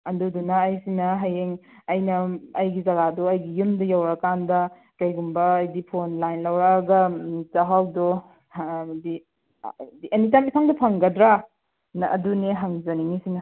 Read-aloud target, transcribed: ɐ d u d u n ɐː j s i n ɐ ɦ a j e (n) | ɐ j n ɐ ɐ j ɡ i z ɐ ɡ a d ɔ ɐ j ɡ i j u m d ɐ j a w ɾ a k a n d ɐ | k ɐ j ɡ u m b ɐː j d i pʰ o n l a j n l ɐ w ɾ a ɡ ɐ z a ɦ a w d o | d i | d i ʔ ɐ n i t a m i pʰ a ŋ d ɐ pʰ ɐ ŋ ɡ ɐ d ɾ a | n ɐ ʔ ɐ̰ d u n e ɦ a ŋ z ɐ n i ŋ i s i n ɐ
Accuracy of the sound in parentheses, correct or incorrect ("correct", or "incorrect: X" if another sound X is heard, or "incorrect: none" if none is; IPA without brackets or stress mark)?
incorrect: ŋ